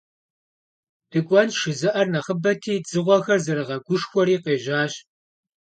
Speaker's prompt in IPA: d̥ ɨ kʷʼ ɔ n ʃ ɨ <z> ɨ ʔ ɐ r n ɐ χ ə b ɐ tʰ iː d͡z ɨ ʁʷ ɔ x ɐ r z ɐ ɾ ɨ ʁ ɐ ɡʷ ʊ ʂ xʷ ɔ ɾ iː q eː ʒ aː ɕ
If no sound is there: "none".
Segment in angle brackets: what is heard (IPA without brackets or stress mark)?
z